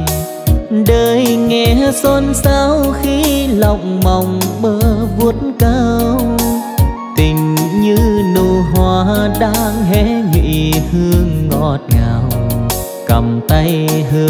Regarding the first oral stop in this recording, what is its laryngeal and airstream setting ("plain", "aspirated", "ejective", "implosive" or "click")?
implosive